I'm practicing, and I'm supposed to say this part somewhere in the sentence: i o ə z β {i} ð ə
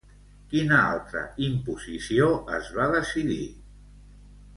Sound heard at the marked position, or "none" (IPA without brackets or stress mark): a